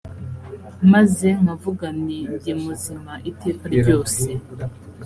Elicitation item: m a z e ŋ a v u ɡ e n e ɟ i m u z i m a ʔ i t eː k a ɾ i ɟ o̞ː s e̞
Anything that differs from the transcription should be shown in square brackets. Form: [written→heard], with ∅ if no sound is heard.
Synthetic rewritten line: m a z e ŋ a v u ɡ [e→a] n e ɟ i m u z i m a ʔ i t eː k a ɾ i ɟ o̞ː s e̞